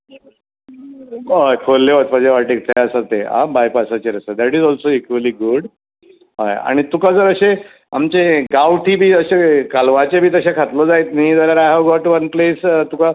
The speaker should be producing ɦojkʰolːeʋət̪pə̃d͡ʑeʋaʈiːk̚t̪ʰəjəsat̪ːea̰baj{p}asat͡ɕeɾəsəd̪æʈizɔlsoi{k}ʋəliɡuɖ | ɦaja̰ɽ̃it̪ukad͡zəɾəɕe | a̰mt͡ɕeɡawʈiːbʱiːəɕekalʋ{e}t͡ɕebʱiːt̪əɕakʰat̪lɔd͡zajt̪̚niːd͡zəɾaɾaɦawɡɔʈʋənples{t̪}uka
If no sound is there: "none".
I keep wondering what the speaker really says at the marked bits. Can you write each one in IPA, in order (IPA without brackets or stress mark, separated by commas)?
p, k, a, t̪